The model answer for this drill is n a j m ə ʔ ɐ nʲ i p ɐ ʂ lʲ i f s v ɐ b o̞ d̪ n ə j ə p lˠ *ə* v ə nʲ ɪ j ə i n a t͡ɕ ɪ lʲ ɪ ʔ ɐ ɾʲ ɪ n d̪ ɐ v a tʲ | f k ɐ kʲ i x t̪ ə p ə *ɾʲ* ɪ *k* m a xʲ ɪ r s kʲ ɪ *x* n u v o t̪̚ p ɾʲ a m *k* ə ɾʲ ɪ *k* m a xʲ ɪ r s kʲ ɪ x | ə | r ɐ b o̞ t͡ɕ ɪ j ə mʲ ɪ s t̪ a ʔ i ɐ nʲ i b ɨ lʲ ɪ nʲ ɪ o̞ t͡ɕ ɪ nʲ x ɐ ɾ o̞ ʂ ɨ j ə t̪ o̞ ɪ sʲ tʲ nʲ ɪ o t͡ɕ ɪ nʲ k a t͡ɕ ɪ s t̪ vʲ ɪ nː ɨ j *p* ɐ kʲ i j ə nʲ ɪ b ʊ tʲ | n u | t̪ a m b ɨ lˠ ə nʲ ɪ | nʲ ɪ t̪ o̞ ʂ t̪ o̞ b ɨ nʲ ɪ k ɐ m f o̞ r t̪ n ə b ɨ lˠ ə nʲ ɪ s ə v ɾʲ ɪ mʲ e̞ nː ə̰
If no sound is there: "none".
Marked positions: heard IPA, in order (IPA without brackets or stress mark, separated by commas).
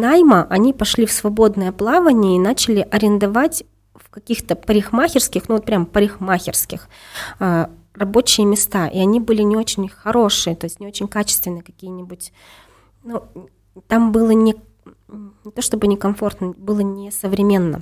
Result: a, ɾʲ, x, x, p, x, k